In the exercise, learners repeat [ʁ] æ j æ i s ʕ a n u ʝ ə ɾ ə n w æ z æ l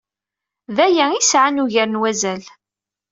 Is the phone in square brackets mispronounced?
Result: yes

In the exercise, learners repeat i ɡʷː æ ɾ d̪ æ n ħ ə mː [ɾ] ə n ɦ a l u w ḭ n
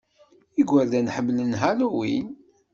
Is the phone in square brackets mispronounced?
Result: yes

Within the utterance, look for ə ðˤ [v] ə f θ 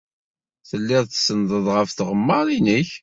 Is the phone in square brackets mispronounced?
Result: yes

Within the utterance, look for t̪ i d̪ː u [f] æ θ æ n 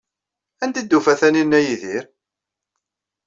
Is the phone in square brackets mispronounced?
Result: no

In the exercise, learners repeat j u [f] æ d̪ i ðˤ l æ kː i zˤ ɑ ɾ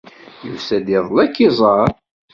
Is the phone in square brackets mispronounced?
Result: yes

